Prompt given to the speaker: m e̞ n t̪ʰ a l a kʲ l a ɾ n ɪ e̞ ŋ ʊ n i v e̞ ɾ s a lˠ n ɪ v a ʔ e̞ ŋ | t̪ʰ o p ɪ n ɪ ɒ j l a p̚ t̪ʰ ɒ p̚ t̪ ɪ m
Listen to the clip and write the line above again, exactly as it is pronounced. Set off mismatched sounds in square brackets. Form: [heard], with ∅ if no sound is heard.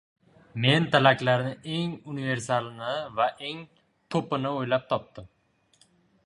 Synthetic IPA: m e̞ n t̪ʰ a l a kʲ l a ɾ n ɪ e̞ ŋ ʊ n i v e̞ ɾ s a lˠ n ɪ v a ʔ e̞ ŋ | t̪ʰ o p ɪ n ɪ [o] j l a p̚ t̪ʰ ɒ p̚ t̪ ɪ m